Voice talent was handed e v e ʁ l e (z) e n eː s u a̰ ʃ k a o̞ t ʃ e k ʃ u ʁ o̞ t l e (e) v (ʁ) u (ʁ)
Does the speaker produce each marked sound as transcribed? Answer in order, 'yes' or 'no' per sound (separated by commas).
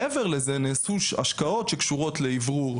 yes, no, yes, yes